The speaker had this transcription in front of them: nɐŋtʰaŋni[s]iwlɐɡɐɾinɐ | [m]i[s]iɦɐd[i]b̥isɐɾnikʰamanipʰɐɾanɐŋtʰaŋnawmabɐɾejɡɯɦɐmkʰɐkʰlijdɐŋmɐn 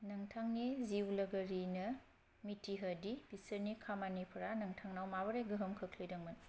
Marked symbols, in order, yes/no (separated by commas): no, yes, no, yes